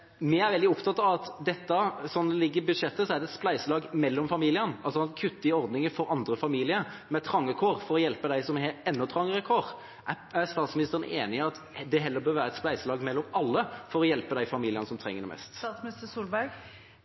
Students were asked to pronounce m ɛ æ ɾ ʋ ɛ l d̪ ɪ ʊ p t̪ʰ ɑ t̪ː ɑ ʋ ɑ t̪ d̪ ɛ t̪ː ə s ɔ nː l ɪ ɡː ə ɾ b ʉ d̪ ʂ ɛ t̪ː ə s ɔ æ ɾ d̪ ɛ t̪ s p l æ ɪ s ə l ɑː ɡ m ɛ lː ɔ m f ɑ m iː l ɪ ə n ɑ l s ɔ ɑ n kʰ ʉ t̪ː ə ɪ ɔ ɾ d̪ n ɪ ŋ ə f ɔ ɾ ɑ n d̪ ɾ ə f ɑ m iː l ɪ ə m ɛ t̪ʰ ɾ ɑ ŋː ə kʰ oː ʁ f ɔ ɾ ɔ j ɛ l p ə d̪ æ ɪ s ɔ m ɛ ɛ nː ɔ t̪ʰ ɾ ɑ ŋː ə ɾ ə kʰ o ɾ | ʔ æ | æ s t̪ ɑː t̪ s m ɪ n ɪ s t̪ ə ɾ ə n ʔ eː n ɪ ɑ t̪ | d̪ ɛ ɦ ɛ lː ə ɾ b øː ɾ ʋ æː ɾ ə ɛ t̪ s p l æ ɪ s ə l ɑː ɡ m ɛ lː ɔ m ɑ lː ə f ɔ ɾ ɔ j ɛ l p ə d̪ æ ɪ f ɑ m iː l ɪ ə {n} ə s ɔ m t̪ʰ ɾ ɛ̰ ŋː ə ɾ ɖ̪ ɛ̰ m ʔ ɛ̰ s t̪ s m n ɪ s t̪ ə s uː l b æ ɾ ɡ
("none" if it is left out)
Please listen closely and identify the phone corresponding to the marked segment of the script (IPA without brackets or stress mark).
n